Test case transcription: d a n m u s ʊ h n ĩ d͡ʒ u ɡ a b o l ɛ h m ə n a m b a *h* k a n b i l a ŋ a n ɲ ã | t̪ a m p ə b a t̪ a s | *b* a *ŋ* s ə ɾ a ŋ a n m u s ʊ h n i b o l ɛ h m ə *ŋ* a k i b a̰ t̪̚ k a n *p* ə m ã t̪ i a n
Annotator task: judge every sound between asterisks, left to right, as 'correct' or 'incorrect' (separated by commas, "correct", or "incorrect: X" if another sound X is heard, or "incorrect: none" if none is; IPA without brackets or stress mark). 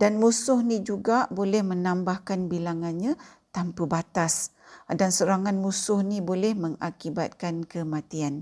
correct, incorrect: d, incorrect: n, correct, incorrect: k